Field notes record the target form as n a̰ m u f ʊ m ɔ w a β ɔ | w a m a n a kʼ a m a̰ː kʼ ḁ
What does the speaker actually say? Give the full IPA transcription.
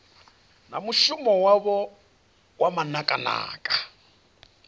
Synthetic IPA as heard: n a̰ m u ʃ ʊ m ɔ w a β ɔ | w a m a n a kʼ a n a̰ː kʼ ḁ